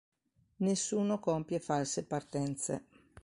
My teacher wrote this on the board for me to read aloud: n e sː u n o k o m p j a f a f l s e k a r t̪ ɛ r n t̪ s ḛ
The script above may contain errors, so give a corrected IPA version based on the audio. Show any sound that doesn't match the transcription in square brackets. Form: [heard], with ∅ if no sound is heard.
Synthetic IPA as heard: n e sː [uː] n o k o m p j [e] f a [∅] l s e [p] a r t̪ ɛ [∅] n t̪ s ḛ